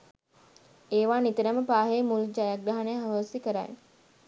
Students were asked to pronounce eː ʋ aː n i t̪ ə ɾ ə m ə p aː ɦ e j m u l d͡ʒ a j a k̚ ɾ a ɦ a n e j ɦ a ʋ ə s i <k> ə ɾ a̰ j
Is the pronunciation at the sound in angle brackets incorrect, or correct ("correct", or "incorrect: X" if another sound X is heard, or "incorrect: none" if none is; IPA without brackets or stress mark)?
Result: correct